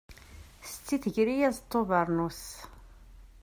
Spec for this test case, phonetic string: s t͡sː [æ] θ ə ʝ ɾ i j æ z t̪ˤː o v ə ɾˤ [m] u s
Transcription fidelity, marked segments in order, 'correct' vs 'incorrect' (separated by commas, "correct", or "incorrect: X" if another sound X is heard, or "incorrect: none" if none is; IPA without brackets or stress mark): incorrect: i, incorrect: n